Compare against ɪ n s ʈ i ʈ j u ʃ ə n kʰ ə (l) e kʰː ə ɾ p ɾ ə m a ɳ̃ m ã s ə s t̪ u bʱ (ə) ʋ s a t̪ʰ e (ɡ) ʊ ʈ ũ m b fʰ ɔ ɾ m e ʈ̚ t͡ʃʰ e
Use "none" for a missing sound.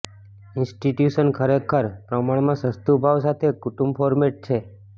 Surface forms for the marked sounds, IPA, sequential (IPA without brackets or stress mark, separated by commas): ɾ, a, k